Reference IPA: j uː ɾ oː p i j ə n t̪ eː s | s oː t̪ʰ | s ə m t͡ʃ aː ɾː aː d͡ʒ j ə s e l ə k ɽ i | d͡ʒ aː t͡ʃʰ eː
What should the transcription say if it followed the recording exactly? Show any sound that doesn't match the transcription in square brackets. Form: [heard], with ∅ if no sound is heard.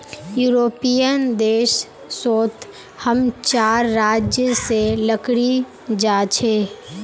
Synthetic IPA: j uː ɾ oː p i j ə n [d̪] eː [ʃ] | s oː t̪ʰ | [h] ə m t͡ʃ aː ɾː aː d͡ʒ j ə s e l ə k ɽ i | d͡ʒ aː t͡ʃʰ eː